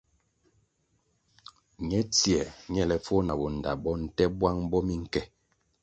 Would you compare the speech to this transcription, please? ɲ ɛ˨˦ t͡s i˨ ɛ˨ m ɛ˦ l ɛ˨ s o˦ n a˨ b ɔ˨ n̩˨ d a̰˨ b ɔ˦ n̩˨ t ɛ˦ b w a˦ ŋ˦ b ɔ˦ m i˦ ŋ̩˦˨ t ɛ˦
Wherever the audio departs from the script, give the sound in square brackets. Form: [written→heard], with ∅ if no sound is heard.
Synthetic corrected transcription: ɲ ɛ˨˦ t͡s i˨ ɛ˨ [m→ɲ] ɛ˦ l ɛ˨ [s→f] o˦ n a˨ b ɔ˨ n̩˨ d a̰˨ b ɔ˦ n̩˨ t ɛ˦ b w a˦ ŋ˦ b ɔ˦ m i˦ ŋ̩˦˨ [t→k] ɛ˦

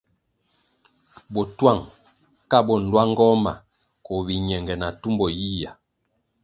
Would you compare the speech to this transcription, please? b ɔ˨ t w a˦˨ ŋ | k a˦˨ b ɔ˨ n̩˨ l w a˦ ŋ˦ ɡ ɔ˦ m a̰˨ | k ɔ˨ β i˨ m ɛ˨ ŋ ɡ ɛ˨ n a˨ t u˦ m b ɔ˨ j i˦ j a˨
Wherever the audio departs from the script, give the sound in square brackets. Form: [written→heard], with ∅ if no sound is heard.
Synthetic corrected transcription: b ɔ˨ t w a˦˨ ŋ | k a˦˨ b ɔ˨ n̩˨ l w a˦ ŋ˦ ɡ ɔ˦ m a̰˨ | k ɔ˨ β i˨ [m→ɲ] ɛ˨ ŋ ɡ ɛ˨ n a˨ t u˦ m b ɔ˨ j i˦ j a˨

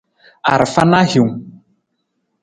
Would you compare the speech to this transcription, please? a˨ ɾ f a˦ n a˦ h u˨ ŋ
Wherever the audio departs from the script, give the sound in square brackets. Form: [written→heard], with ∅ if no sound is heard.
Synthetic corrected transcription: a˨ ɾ f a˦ n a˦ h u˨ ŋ

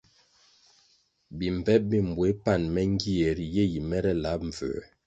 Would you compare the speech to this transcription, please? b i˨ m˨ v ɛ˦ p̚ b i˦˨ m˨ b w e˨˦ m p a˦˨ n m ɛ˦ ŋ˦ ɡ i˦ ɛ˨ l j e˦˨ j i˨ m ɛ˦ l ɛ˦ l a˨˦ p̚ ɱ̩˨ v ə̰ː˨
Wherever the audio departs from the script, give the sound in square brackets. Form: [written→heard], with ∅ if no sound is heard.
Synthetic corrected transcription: b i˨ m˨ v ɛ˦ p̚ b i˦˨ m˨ b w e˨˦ [m→∅] p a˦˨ n m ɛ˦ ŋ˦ ɡ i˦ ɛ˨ [l→ɾ] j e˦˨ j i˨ m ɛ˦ [l→ɾ] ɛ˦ l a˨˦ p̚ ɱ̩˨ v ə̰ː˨

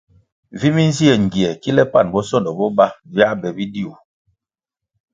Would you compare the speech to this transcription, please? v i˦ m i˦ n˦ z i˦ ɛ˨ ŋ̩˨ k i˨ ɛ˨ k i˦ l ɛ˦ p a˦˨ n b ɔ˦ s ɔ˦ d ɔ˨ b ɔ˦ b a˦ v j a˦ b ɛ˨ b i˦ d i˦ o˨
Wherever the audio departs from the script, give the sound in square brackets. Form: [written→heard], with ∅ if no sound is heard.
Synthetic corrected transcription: v i˦ m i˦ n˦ z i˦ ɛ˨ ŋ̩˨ [k→ɡ] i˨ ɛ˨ k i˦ l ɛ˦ p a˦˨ n b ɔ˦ s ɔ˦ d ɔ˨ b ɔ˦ b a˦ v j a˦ b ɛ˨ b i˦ d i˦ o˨

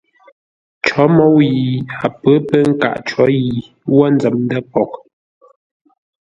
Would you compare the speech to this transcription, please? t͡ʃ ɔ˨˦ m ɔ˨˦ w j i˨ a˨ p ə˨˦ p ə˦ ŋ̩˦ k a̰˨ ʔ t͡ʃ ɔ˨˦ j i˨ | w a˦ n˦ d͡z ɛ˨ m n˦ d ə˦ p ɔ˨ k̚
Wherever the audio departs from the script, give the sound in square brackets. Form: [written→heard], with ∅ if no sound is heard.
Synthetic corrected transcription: t͡ʃ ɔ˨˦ m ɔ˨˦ w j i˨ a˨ p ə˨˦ p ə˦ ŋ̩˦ k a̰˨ ʔ t͡ʃ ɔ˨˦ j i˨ | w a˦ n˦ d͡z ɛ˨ m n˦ d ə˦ p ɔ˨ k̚

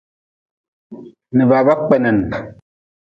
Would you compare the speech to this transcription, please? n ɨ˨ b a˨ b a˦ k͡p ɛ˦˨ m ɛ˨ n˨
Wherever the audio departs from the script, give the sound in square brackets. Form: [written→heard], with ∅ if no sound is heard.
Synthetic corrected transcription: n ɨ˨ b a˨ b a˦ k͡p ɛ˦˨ [m→n] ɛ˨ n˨

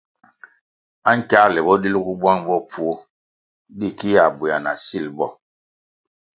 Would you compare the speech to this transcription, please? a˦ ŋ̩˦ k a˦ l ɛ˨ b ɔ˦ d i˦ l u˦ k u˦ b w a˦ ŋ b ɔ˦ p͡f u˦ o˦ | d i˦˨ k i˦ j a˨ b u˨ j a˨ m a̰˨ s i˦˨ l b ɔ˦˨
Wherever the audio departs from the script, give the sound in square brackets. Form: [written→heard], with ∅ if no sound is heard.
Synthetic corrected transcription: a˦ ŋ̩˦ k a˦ l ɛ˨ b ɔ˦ d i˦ l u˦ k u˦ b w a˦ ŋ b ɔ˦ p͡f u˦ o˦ | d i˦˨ k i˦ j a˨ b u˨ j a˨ [m→n] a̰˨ s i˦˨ l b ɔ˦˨

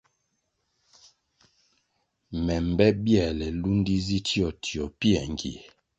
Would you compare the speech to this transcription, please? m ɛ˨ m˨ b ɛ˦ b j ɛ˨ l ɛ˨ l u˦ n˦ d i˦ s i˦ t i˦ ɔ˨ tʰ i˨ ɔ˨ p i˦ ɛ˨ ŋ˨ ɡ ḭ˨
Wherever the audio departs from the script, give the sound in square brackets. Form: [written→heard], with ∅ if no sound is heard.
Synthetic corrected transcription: m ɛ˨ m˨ b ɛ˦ b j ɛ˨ l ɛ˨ l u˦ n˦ d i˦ [s→z] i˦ t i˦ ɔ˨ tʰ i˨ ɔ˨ p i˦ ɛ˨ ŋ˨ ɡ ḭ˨

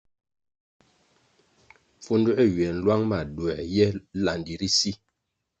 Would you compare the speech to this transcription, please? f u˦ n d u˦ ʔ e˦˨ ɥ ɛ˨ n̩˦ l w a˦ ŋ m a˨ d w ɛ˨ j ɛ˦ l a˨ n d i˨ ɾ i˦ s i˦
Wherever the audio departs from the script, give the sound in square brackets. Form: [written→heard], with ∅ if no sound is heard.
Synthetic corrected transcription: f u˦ n d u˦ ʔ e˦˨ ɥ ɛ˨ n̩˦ l w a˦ ŋ m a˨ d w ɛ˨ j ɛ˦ l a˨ n d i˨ ɾ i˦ s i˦

